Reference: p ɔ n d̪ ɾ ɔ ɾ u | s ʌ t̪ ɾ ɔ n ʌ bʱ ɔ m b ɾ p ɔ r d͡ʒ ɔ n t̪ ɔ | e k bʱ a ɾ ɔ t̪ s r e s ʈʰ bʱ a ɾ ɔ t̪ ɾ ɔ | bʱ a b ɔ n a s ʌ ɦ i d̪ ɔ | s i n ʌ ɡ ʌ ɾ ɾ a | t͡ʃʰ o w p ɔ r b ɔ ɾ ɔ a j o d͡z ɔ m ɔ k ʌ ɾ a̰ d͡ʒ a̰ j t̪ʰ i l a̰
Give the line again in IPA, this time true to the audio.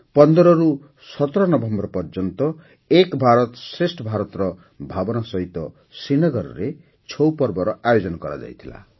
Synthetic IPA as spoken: p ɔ n d̪ ɾ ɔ ɾ u | s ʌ t̪ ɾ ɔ n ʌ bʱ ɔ m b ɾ p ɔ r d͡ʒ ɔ n t̪ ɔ | e k bʱ a ɾ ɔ t̪ s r e s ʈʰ bʱ a ɾ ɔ t̪ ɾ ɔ | bʱ a b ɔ n a s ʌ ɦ i t̪ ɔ | s i n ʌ ɡ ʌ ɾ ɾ e | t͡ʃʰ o w p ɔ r b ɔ ɾ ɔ a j o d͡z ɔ n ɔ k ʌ ɾ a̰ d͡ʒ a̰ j t̪ʰ i l a̰